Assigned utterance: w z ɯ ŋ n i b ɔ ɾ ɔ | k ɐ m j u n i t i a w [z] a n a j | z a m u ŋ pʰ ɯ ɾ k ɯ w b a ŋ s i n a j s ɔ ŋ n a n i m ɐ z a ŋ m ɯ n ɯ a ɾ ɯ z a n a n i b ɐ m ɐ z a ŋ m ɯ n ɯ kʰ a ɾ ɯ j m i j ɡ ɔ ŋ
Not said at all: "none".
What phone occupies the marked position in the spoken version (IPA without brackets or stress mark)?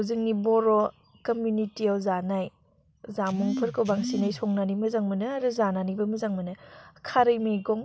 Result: z